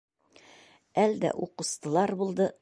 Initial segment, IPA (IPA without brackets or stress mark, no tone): æ